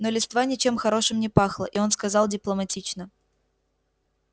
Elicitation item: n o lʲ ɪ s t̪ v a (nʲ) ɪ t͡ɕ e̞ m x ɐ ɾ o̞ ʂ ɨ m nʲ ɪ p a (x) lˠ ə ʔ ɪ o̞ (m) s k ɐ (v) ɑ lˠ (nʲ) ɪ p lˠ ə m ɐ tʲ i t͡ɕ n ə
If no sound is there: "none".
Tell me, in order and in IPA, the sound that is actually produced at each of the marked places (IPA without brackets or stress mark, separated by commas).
nʲ, x, n, z, dʲ